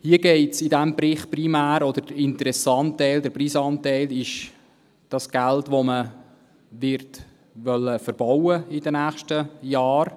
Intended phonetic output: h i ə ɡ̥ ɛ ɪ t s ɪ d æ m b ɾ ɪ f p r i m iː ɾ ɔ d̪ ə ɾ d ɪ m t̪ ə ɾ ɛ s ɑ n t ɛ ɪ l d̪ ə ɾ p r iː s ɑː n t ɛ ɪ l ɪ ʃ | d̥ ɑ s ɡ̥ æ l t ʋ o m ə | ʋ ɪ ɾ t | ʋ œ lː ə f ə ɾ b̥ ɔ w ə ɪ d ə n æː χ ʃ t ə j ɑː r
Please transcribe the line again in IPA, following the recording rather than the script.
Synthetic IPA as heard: h i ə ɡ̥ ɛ ɪ t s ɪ d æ m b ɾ ɪ χ p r i m æː ɾ ɔ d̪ ə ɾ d ɪ n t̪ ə ɾ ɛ s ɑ n t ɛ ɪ l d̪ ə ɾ p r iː s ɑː n t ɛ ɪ l ɪ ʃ | d̥ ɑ s ɡ̥ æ l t ʋ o m ə | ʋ ɪ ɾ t | ʋ œ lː ə f ə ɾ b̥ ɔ w ə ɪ d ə n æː χ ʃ t ə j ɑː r